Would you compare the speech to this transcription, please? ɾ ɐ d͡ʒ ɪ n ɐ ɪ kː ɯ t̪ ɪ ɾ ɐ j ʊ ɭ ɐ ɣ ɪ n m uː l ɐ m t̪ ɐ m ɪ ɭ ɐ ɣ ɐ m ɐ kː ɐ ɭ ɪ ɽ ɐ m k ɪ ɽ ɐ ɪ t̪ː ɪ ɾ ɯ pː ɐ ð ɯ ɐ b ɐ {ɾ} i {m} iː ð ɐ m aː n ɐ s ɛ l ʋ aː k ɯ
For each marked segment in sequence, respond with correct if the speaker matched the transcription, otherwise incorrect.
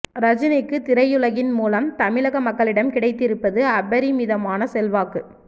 correct, correct

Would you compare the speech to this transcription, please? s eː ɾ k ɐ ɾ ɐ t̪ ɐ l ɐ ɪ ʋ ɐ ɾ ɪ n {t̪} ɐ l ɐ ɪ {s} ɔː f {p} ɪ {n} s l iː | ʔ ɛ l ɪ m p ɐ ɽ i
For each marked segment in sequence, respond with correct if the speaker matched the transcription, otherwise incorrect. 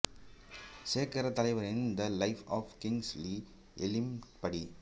incorrect, incorrect, incorrect, incorrect

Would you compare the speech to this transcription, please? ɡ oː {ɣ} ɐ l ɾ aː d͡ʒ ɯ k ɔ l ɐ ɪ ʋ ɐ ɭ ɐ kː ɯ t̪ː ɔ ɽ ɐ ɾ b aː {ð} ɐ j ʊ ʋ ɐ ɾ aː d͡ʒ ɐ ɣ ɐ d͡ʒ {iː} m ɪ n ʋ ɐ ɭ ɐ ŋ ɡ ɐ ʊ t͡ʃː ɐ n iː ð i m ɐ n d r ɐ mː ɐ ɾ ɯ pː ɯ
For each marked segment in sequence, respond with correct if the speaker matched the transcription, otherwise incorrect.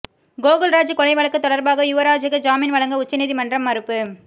correct, incorrect, incorrect

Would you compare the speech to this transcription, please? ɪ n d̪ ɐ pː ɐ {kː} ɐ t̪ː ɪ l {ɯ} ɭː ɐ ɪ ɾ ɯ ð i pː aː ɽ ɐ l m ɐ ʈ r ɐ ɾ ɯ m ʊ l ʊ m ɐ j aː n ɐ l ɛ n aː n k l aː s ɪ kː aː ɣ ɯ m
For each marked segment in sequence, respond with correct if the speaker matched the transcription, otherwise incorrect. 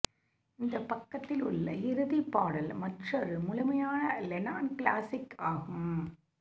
correct, incorrect

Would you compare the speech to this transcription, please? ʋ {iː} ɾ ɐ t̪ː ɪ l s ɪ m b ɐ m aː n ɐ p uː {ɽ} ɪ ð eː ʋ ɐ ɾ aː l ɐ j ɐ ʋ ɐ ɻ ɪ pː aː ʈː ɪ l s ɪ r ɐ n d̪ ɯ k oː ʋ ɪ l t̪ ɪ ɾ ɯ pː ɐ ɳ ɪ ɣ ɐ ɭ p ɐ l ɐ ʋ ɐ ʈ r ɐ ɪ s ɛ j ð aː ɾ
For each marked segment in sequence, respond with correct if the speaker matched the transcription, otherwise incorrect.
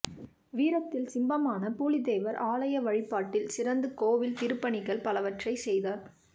correct, incorrect

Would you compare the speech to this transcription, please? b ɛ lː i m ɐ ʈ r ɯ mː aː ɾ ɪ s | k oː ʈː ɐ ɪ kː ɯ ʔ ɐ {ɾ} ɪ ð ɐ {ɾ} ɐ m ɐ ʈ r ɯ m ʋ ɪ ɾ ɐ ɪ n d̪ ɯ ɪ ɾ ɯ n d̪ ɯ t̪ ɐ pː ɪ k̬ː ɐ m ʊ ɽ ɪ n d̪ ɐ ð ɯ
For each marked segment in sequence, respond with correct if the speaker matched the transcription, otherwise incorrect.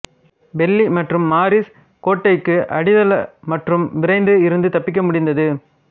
incorrect, incorrect

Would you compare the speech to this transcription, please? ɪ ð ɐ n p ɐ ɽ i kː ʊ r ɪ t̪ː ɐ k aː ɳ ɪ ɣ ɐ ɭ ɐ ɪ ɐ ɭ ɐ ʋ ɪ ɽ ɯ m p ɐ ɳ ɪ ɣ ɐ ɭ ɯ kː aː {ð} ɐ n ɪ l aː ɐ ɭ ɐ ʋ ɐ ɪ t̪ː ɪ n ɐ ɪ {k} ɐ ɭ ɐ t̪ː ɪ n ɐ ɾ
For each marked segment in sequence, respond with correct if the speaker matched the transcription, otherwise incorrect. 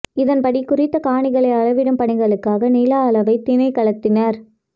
incorrect, correct

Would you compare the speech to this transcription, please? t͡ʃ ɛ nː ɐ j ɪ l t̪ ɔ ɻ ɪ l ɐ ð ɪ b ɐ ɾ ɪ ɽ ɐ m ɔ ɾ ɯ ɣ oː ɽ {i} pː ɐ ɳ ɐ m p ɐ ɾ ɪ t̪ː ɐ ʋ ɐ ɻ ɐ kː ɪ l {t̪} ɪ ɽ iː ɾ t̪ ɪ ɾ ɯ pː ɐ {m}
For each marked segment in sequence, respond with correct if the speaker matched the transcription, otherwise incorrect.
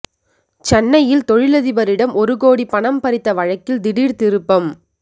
correct, incorrect, correct

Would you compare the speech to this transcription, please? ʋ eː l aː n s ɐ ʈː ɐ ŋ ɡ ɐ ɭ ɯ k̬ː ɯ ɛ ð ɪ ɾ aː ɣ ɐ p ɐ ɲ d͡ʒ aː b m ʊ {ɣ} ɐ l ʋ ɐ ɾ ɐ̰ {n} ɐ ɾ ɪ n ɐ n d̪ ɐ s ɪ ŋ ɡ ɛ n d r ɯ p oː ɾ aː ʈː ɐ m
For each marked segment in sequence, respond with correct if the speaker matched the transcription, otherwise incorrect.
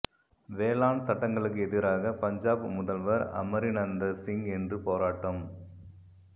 incorrect, incorrect

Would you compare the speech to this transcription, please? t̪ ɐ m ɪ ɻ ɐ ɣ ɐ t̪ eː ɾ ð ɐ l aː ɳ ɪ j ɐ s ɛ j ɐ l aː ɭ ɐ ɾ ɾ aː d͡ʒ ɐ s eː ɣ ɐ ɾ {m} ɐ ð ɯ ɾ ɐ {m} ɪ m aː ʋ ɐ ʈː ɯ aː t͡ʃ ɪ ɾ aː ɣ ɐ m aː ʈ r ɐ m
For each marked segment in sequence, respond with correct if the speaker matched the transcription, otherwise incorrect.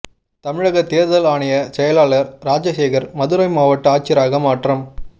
correct, incorrect

